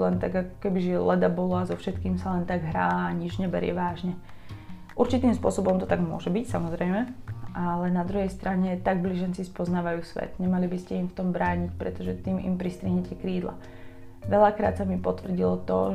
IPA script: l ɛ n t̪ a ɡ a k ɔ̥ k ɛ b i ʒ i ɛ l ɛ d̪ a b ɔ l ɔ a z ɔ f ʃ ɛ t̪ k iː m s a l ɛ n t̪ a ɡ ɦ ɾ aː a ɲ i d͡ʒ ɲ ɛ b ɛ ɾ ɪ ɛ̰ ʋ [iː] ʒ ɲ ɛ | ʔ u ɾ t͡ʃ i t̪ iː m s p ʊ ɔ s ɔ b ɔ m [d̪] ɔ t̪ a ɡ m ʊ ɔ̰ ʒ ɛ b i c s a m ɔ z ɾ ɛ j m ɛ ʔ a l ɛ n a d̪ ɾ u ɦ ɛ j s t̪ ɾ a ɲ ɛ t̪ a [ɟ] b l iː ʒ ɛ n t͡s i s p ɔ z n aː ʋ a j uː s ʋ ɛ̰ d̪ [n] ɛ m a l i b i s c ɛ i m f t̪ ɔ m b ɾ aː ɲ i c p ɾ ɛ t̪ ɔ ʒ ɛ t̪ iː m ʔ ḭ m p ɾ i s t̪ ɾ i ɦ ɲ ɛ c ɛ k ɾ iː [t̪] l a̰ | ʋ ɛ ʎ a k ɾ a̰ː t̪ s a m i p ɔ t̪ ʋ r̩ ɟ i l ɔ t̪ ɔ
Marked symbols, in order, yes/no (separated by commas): no, no, no, no, no